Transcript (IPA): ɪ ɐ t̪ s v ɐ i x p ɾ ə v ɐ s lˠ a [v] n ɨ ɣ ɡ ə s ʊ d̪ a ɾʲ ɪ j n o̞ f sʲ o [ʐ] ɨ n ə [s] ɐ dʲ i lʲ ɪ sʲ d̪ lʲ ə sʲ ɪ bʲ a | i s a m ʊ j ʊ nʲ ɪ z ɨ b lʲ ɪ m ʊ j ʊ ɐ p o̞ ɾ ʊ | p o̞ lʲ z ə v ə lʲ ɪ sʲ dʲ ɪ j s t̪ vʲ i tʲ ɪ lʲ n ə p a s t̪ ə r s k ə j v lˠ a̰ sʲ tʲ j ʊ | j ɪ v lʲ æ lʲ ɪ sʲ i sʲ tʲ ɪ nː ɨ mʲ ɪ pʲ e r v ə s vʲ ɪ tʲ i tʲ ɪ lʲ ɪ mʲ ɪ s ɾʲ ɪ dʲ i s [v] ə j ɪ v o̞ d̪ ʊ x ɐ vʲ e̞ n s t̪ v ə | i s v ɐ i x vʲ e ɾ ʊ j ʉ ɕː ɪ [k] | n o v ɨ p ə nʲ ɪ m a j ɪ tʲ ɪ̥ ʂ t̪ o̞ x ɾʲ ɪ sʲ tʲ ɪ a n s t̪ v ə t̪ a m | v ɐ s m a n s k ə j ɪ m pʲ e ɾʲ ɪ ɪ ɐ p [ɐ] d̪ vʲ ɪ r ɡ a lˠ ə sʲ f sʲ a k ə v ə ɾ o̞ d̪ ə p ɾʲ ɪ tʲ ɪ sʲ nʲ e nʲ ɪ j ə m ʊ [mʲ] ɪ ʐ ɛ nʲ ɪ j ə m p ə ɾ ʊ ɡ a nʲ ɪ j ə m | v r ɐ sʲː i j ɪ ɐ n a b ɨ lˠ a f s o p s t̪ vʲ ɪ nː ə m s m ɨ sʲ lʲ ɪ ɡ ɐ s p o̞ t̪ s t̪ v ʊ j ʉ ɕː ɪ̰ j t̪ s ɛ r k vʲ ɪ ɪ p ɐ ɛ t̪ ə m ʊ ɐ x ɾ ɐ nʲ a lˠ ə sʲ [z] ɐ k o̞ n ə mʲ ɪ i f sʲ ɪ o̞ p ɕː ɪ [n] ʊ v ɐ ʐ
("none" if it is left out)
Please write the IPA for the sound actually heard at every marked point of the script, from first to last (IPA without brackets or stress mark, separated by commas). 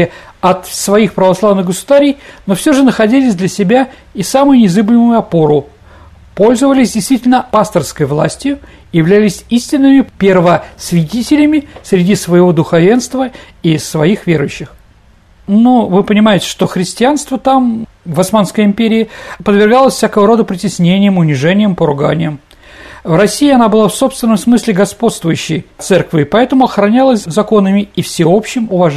v, ʐ, x, v, x, ə, nʲ, z, m